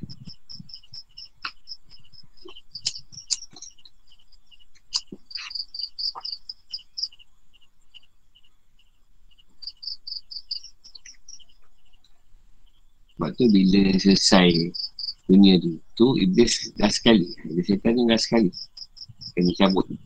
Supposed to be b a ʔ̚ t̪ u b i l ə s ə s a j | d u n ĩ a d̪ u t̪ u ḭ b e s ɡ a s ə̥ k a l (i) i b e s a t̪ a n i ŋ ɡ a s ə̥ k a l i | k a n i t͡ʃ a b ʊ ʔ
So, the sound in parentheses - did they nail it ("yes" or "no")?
yes